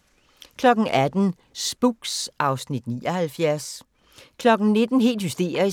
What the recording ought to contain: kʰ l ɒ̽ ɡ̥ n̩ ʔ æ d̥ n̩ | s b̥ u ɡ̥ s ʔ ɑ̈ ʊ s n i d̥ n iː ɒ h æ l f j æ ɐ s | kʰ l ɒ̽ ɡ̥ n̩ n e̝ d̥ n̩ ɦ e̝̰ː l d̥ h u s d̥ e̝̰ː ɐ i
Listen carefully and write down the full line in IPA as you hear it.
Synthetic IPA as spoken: kʰ l ɒ̽ ɡ̥ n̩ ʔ æ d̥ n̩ | s b̥ u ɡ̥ s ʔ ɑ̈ ʊ s n i d̥ n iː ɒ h æ l f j æ ɐ s | kʰ l ɒ̽ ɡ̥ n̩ n e̝ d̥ n̩ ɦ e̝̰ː l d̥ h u s d̥ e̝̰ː ɐ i